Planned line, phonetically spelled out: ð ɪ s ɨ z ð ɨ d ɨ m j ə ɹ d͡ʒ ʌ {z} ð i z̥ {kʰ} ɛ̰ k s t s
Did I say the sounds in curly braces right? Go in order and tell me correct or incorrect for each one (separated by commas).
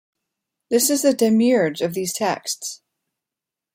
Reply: incorrect, incorrect